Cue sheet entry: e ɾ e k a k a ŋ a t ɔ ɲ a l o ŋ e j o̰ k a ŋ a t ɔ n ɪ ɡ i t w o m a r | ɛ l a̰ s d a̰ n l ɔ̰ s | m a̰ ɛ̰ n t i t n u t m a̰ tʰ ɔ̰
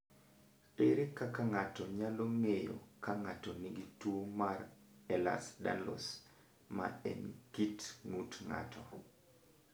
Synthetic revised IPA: e ɾ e k a k a ŋ a t ɔ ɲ a l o ŋ e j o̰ k a ŋ a t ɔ n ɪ ɡ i t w o m a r | ɛ l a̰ s d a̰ n l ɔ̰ s | m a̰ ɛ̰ n k i t ŋ u t ŋ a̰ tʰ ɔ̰